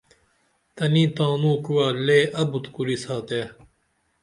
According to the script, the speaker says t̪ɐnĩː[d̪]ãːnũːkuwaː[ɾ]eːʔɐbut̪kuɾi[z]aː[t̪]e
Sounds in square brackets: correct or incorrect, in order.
incorrect: t̪, incorrect: l, incorrect: s, correct

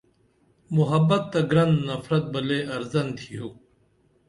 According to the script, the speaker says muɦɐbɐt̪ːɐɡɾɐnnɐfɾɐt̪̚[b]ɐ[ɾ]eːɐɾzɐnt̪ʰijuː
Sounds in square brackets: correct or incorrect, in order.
correct, incorrect: l

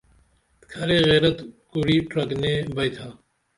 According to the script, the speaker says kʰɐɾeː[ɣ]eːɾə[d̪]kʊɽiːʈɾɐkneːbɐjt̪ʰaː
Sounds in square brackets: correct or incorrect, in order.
correct, incorrect: t̪

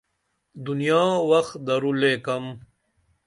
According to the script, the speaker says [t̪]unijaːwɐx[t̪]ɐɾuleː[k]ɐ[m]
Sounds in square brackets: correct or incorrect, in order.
incorrect: d̪, incorrect: d̪, correct, correct

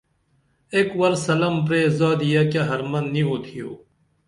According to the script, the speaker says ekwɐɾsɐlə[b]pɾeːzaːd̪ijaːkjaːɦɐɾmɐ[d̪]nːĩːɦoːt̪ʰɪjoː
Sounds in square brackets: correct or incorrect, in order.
incorrect: m, incorrect: none

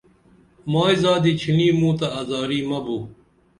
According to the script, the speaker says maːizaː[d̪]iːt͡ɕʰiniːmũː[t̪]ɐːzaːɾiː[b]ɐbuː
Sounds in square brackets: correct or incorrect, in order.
correct, correct, incorrect: m

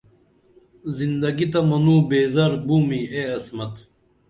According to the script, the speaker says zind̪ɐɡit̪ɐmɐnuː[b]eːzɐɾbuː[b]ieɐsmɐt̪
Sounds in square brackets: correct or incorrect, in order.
correct, incorrect: m

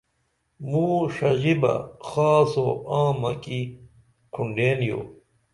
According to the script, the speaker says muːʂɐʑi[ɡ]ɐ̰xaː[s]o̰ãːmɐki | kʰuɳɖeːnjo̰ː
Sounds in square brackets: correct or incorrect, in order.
incorrect: b, correct

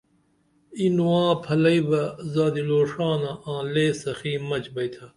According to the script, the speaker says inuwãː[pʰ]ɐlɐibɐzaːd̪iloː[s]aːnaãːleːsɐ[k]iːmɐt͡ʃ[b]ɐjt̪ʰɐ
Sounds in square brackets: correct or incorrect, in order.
correct, incorrect: ʂ, incorrect: x, correct

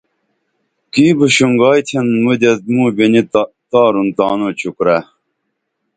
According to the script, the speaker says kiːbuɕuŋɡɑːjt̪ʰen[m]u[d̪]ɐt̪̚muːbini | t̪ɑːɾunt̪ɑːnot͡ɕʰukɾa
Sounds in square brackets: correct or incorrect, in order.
correct, correct

